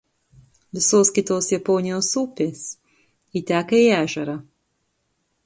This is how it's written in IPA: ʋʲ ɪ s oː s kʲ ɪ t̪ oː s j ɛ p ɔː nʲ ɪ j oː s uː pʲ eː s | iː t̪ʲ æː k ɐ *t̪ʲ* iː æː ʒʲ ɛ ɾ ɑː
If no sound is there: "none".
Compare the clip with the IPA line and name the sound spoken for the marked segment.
none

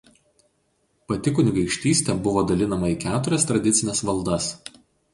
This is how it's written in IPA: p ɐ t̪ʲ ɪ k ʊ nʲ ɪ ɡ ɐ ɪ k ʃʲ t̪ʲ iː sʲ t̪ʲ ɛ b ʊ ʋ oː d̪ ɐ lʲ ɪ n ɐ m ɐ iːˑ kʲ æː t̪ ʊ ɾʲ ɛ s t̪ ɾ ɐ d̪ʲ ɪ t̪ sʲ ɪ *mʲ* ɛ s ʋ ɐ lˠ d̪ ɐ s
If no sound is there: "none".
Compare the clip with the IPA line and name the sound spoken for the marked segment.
nʲ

